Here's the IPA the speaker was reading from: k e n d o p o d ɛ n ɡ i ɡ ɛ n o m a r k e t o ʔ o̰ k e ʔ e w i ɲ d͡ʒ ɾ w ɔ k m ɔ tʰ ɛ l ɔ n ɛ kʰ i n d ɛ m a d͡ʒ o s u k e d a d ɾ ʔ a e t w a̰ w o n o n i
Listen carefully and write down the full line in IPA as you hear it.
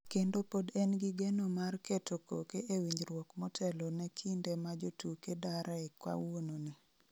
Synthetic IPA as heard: k e n d o p o d ɛ n ɡ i ɡ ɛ n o m a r k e t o k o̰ k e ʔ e w i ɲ d͡ʒ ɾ w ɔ k m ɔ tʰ ɛ l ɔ n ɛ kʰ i n d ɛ m a d͡ʒ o t u k e d a ɾ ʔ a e k w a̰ w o n o n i